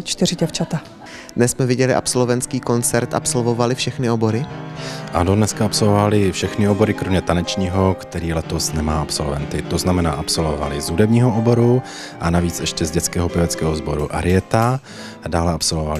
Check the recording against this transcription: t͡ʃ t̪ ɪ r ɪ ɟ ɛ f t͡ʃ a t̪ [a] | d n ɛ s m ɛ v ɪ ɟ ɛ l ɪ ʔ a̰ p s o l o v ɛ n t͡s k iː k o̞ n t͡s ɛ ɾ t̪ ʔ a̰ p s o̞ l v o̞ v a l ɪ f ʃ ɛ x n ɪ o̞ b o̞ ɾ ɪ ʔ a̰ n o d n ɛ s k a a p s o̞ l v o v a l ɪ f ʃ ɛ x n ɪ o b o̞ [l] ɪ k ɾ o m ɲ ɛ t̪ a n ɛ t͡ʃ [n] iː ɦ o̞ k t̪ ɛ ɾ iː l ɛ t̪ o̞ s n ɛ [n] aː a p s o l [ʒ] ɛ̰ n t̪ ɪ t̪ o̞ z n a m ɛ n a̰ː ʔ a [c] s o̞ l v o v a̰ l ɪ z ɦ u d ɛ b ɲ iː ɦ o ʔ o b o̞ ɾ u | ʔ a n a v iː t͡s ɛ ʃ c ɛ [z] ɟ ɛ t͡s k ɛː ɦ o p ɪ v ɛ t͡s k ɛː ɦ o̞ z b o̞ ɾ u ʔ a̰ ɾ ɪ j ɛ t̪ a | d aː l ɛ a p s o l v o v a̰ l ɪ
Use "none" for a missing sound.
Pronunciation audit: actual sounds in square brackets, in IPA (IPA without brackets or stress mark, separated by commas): a, ɾ, ɲ, m, v, p, z